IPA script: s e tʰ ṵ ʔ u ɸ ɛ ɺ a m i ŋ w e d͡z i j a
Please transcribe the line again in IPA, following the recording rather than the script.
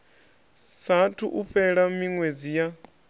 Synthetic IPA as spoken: s a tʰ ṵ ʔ u ɸ ɛ ɺ a m i ŋ w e d͡z i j a